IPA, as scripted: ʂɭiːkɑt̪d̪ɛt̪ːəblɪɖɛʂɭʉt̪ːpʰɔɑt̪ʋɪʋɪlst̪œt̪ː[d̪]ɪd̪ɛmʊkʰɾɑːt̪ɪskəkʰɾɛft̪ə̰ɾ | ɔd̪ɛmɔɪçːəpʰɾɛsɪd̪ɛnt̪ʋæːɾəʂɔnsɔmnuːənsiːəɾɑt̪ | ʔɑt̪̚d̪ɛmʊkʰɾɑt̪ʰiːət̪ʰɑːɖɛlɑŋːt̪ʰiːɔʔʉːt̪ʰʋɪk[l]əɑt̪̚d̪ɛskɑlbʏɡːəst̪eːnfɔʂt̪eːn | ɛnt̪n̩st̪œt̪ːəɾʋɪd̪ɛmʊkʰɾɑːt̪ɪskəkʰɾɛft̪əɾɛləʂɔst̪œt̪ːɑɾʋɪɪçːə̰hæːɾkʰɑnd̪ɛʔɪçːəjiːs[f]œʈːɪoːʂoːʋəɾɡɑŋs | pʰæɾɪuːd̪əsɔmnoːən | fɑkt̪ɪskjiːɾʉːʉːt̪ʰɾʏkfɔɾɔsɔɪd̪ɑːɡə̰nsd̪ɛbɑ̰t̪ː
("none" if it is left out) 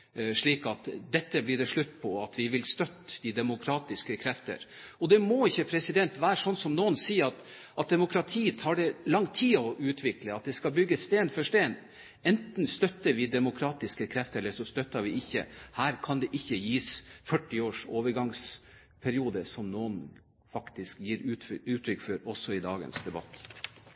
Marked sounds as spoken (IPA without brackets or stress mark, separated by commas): d̪, l, f